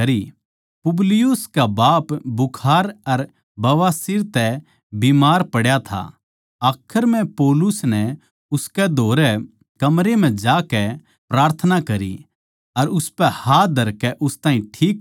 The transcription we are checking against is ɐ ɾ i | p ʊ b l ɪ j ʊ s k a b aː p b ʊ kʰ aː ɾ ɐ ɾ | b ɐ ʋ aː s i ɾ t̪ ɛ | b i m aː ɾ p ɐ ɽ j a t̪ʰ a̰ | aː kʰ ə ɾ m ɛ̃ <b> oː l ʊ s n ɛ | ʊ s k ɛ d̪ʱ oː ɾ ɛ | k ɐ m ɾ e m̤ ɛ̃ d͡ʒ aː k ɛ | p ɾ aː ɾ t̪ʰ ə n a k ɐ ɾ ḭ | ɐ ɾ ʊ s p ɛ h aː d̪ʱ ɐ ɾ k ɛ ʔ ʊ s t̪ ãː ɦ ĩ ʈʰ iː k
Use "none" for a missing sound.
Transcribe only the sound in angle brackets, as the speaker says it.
p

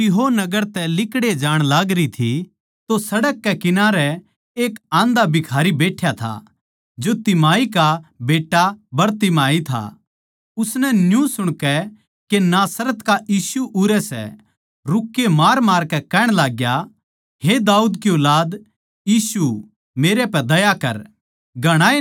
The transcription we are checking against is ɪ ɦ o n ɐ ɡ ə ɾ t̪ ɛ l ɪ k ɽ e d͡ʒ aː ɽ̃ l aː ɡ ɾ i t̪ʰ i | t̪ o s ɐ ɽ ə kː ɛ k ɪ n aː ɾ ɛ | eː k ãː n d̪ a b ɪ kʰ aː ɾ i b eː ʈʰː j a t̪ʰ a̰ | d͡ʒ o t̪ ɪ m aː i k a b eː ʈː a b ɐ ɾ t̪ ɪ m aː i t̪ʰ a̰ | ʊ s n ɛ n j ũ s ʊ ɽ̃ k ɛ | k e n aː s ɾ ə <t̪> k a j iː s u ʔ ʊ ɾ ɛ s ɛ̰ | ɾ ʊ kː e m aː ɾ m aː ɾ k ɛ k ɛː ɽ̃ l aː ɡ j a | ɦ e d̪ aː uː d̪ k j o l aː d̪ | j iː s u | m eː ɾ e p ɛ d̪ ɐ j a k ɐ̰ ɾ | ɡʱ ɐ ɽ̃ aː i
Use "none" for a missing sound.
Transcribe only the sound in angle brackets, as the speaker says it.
t̪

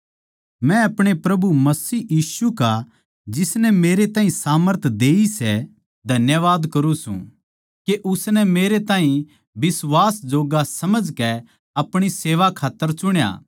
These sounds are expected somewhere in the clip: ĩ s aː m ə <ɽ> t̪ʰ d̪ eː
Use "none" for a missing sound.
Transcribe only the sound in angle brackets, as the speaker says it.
ɾ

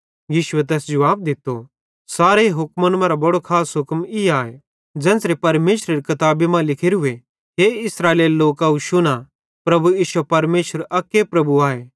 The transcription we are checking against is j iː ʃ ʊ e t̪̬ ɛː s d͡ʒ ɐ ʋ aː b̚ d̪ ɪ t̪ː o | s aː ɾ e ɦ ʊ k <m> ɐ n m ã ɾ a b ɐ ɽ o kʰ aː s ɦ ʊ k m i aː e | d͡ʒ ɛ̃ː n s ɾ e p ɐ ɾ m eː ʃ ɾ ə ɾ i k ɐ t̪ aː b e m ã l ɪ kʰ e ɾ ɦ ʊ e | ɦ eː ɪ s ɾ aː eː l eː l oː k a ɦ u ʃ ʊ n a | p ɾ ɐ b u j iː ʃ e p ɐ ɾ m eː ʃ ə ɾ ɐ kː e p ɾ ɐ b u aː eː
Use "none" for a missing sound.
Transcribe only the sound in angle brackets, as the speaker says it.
m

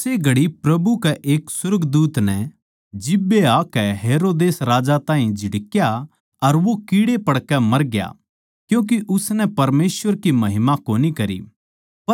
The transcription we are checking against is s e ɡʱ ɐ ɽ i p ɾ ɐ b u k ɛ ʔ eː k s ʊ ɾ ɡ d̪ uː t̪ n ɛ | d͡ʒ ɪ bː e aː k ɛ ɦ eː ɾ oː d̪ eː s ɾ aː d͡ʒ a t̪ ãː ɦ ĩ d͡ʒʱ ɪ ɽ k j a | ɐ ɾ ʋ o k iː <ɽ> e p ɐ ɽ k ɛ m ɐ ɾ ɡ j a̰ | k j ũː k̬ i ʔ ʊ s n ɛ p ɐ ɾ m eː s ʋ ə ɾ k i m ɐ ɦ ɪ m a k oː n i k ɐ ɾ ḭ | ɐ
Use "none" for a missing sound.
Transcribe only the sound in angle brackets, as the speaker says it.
ɽ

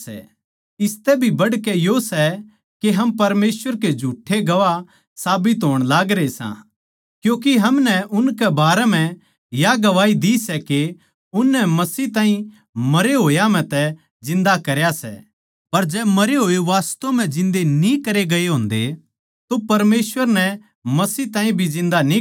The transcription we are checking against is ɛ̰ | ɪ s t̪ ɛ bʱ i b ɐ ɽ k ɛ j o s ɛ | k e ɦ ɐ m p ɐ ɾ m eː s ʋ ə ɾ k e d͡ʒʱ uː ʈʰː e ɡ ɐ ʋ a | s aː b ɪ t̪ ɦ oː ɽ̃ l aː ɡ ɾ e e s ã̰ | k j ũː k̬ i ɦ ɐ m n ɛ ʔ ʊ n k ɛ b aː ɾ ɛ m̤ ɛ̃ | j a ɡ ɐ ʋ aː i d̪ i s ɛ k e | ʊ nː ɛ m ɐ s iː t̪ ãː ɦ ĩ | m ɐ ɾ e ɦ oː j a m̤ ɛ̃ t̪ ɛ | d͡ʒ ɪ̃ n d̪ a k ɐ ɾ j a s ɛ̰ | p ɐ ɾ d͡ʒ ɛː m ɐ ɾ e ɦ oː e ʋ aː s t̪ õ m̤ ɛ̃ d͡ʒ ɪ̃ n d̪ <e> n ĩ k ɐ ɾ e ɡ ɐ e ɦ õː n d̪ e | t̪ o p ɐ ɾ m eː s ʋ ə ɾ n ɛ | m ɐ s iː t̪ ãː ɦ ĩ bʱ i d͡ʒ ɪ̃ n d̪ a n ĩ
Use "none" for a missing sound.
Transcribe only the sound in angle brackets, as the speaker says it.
e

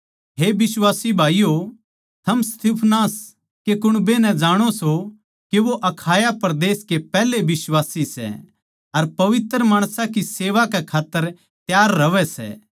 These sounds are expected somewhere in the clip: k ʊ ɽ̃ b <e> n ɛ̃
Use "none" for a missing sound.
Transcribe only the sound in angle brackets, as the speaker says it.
e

